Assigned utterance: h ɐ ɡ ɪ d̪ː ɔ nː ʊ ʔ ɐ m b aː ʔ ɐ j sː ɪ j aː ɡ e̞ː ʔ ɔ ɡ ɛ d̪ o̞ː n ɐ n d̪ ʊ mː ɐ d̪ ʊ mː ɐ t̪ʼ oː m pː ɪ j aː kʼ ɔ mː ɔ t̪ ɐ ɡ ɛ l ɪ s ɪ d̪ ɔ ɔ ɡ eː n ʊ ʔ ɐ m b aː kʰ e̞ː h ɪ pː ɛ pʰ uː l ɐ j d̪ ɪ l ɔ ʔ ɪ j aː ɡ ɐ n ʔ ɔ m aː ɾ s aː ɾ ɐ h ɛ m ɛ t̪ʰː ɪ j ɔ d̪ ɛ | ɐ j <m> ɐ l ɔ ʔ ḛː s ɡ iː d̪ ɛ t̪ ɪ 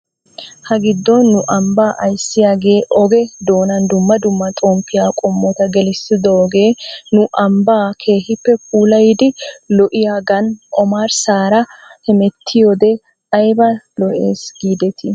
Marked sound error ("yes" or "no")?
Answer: yes